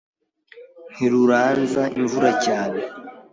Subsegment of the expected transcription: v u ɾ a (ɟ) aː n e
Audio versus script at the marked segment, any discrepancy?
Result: yes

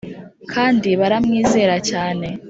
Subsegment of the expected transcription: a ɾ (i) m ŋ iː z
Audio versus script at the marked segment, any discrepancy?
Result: yes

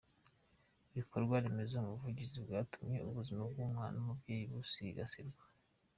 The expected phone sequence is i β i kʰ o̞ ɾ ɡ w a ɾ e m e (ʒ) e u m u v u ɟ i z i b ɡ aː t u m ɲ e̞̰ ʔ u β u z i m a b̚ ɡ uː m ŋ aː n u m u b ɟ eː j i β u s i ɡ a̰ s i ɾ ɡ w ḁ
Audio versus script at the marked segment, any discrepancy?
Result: yes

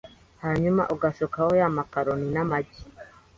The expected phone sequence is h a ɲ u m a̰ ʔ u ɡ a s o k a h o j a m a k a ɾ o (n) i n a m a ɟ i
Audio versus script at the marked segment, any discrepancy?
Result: no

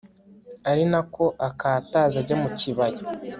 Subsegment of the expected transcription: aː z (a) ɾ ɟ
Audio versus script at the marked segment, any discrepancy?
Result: no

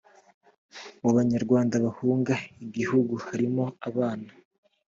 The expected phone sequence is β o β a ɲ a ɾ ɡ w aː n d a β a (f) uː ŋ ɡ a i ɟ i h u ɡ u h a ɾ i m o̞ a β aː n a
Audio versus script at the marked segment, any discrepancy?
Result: yes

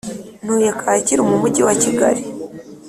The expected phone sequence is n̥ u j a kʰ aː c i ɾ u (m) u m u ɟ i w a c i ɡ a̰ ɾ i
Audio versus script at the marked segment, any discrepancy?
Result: no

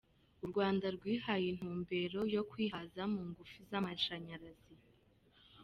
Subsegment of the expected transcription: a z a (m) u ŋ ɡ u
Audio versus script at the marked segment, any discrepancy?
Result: no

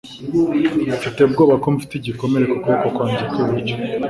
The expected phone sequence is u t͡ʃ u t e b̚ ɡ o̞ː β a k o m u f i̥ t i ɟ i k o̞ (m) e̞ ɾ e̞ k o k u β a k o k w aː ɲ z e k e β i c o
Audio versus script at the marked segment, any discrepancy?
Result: no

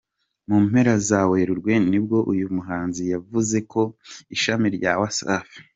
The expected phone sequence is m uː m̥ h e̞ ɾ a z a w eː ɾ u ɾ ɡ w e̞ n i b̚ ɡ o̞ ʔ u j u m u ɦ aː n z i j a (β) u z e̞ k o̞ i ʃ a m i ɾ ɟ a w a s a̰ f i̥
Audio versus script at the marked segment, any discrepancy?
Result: yes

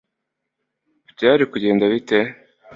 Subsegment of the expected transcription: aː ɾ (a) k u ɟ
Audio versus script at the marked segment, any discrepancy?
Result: yes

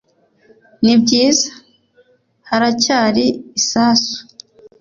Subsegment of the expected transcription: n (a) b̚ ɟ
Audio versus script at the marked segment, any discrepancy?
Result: yes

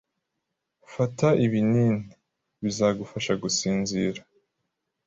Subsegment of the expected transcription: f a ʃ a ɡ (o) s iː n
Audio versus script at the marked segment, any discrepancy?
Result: yes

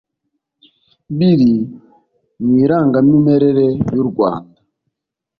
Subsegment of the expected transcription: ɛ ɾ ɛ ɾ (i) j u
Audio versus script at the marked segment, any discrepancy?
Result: yes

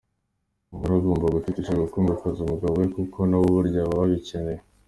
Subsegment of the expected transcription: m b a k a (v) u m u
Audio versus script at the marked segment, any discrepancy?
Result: yes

